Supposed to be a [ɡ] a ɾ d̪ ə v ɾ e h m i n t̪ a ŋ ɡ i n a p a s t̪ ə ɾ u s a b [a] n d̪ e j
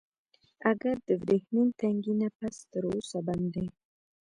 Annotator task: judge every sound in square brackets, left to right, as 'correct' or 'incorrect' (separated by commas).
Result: correct, correct